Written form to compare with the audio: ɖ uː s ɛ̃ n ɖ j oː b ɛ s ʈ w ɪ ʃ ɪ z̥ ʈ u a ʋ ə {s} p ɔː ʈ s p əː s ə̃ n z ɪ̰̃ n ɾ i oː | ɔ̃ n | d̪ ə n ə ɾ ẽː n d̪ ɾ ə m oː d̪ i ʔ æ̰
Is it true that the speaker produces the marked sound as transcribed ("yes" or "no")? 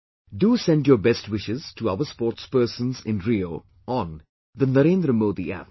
yes